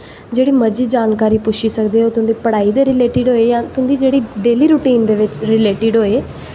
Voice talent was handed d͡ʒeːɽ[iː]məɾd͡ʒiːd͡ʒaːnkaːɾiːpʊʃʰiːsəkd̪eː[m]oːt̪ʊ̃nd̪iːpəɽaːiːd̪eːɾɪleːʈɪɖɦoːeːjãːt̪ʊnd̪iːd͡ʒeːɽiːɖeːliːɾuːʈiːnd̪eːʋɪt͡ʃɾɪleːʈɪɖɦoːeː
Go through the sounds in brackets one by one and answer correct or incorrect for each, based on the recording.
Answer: correct, incorrect: none

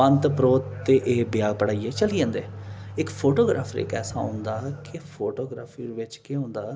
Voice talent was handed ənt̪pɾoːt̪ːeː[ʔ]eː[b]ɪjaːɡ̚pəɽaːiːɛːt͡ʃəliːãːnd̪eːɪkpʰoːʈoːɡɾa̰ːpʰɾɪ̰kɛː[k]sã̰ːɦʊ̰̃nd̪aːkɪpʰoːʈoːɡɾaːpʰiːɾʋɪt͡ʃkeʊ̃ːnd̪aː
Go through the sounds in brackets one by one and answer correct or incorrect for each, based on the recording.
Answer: correct, correct, incorrect: none

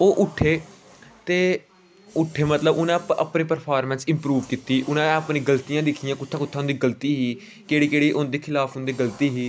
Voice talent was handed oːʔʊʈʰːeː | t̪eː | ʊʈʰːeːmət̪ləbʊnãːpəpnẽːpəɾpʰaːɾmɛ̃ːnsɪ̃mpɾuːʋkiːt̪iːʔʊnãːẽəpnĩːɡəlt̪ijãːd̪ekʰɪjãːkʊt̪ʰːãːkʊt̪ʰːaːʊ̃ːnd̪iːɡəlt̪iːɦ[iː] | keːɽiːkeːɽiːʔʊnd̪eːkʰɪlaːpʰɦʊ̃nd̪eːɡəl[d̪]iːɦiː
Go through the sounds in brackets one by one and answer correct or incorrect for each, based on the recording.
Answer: correct, incorrect: t̪

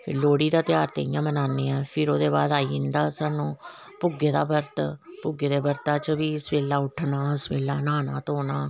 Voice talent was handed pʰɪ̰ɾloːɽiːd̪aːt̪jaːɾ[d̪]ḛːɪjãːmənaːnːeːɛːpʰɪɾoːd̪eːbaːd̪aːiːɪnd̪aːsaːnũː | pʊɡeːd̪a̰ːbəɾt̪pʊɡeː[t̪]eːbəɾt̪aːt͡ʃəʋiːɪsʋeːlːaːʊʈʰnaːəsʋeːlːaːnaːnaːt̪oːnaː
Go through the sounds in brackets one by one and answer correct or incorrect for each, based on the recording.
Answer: incorrect: t̪, incorrect: d̪

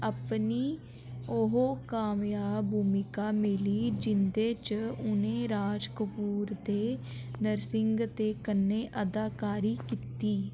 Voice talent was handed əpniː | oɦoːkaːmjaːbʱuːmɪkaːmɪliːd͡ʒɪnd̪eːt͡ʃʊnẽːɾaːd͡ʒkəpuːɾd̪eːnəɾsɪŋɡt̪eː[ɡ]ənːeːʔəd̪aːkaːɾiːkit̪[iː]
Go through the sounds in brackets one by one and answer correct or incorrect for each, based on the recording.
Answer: incorrect: k, correct

